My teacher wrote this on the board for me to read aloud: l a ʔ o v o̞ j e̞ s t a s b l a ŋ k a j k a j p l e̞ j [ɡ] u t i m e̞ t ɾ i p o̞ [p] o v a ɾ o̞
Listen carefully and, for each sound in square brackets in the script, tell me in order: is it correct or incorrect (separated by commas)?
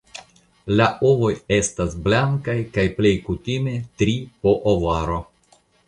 incorrect, incorrect